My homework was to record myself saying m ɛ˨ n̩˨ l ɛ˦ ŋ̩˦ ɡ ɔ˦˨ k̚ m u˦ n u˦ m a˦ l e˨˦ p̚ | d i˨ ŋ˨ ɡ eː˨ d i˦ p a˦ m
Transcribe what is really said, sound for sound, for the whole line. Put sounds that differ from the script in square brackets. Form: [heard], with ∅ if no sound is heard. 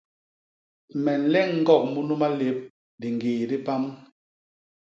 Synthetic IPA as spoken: m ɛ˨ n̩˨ l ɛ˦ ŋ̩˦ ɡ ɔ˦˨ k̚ m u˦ n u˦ m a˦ l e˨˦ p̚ | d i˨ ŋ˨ ɡ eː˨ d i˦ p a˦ m